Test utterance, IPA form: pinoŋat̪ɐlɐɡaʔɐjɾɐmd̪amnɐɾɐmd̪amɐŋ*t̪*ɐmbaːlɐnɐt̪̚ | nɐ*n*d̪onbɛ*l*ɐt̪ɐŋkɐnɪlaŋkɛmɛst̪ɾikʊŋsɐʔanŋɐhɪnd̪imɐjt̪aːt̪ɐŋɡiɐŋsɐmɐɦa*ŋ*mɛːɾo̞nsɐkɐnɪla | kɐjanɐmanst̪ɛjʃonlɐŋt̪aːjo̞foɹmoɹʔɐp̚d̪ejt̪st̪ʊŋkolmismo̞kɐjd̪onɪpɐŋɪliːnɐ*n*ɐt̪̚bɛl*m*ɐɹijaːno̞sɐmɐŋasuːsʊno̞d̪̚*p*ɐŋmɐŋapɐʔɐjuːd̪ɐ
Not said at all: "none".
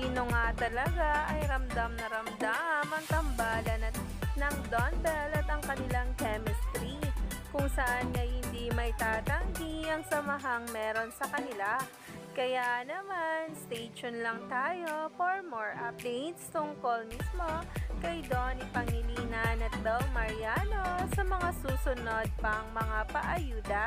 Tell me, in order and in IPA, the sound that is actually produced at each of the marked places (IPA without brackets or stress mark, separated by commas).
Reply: t̪, ŋ, l, ŋ, n, m, p